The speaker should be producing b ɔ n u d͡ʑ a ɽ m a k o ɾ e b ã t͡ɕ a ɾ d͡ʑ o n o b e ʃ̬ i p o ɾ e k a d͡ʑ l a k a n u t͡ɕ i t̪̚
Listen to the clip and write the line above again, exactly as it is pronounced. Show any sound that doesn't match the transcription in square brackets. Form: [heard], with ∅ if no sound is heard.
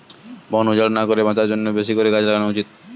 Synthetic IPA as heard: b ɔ n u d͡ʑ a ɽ [n] a k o ɾ e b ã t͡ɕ a ɾ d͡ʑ o [nː] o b e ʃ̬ i [k] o ɾ e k a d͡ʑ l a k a n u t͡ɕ i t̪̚

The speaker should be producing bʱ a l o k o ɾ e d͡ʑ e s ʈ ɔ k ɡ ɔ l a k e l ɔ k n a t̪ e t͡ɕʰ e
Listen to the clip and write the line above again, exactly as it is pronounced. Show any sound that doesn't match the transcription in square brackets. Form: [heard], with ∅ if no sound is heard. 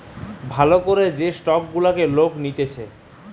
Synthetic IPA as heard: bʱ a l o k o ɾ e d͡ʑ e s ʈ ɔ k ɡ [u] l a k e l [o] k n [i] t̪ e t͡ɕʰ e

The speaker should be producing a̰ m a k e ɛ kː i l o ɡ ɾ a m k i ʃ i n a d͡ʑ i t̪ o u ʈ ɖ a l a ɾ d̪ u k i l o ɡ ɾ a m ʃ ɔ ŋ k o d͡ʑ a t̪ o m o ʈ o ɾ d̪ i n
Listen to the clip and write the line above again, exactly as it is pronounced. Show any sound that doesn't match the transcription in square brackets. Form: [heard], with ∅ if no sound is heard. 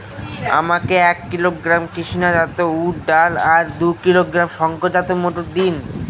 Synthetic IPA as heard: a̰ m a k e ɛ kː i l o ɡ ɾ a m k i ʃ i n a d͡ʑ [a] t̪ o u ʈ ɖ a l a ɾ d̪ u k i l o ɡ ɾ a m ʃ ɔ ŋ k o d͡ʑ a t̪ o m o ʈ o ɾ d̪ i n

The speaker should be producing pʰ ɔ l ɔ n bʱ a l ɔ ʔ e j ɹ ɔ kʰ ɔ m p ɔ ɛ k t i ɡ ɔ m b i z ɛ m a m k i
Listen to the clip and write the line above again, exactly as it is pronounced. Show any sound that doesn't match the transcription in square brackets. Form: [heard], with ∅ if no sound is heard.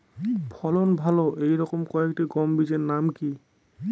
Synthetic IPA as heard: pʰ ɔ l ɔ n bʱ a l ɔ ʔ e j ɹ ɔ [k] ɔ m [k] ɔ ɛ k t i ɡ ɔ m b i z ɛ [n] a m k i

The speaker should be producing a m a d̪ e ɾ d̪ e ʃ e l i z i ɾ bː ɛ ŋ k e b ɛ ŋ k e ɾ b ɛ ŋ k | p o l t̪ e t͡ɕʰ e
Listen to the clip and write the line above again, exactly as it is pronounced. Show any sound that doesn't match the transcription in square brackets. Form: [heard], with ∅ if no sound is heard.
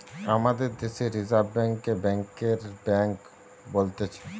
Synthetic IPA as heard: a m a d̪ e ɾ d̪ e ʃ e [ɾ] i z [a] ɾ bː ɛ ŋ k e b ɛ ŋ k e ɾ b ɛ ŋ k | [b] o l t̪ e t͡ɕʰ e

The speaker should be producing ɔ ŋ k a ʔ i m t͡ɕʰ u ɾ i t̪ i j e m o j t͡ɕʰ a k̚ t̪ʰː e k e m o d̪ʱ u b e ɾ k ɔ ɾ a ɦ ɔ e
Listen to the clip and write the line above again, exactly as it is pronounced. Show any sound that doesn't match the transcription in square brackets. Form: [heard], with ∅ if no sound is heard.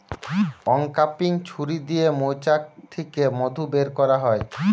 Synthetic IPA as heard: ɔ ŋ k a [p] i [ŋ] t͡ɕʰ u ɾ i [d̪] i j e m o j [t͡ɕ] a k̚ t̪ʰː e k e m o d̪ʱ u b e ɾ k ɔ ɾ a ɦ ɔ e

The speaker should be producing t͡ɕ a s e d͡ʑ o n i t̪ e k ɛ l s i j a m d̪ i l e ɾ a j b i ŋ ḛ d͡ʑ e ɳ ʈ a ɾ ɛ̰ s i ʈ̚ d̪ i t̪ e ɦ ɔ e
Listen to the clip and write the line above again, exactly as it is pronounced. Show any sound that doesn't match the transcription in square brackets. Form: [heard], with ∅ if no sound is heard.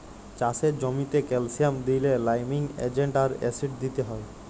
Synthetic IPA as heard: t͡ɕ a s e d͡ʑ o [m] i t̪ e k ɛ l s i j a m d̪ i l e [l] a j [m] i ŋ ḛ d͡ʑ e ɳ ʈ a ɾ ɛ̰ s i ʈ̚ d̪ i t̪ e ɦ ɔ e

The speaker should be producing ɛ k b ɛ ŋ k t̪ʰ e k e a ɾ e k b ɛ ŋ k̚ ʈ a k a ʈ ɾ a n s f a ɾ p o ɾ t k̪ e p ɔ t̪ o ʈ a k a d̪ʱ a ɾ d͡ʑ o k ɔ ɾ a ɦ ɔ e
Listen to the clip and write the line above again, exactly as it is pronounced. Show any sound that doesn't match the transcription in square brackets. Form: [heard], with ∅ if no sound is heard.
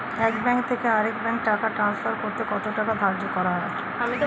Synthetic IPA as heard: ɛ k b ɛ ŋ k t̪ʰ e k e a ɾ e k b ɛ ŋ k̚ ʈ a k a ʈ ɾ a n s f a ɾ [k] o ɾ t k̪ e [k] ɔ t̪ o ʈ a k a d̪ʱ a ɾ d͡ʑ o k ɔ ɾ a ɦ ɔ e

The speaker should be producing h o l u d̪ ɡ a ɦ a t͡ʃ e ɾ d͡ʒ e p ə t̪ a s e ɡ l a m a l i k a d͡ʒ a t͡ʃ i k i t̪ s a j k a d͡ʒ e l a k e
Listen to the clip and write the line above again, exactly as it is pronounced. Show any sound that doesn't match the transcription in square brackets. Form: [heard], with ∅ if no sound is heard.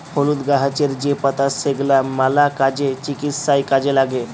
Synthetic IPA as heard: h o l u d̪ ɡ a ɦ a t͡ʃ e ɾ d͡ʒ e p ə t̪ a s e ɡ l a m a l [a] k a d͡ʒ [e] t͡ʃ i k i t̪ s a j k a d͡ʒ e l a [ɡ] e

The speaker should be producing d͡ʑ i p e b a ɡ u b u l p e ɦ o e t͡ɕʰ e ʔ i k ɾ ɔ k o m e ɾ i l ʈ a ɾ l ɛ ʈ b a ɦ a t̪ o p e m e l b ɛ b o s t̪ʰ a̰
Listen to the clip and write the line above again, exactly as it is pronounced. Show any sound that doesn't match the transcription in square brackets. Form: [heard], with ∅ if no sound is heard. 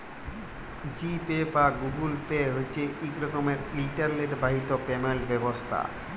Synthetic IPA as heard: d͡ʑ i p e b a ɡ u [ɡ] u l p e ɦ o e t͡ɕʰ e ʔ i k ɾ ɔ k o m e ɾ i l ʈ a ɾ l [e] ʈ b a ɦ [i] t̪ o p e m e l b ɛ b o s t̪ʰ a̰

